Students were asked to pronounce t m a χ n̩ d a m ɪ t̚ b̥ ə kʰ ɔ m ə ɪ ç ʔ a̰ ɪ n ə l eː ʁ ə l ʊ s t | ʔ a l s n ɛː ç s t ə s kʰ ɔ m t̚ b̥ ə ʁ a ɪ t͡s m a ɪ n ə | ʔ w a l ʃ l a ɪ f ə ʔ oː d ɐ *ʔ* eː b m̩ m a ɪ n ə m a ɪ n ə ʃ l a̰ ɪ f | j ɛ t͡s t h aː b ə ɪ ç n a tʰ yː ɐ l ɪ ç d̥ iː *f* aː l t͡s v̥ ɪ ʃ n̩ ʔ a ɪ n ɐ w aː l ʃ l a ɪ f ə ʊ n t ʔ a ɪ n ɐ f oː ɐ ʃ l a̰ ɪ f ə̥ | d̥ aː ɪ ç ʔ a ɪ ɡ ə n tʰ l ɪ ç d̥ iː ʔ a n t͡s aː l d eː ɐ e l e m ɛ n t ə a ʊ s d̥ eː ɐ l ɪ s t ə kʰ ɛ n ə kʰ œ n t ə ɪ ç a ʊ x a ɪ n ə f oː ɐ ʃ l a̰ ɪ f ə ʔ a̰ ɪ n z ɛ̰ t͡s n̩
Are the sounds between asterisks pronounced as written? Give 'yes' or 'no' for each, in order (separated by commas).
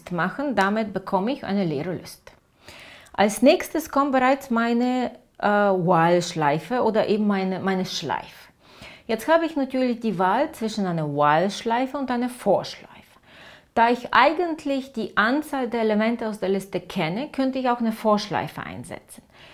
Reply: yes, no